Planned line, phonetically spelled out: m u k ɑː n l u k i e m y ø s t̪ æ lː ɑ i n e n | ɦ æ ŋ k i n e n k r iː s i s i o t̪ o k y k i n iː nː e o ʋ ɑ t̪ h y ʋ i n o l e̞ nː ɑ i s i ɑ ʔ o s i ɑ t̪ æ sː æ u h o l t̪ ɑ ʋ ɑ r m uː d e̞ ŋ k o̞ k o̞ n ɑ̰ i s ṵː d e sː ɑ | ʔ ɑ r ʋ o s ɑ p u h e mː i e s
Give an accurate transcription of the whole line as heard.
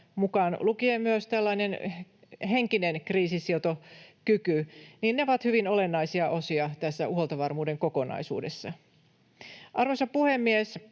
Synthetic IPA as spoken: m u k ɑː n l u k i e m y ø s t̪ æ lː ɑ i n e n | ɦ e ŋ k i n e n k r iː s i s i o t̪ o k y k y n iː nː e o ʋ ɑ t̪ h y ʋ i n o l e̞ nː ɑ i s i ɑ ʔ o s i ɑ t̪ æ sː æ u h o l t̪ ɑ ʋ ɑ r m uː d e̞ ŋ k o̞ k o̞ n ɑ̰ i s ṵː d e sː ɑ | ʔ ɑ r ʋ o s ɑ p u h e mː i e s